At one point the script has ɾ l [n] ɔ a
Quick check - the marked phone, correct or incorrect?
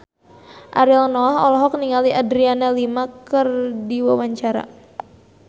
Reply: correct